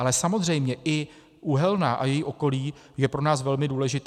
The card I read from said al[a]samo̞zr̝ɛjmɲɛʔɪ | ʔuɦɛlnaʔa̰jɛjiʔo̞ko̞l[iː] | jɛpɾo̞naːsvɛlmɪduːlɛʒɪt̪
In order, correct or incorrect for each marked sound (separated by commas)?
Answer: incorrect, correct